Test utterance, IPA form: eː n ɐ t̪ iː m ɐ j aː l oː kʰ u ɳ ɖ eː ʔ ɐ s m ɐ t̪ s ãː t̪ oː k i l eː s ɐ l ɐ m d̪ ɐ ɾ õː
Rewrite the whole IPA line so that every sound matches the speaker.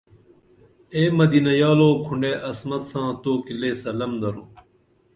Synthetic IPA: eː m ɐ d̪ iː n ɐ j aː l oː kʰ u ɳ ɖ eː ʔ ɐ s m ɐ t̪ s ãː t̪ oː k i l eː s ɐ l ɐ m d̪ ɐ ɾ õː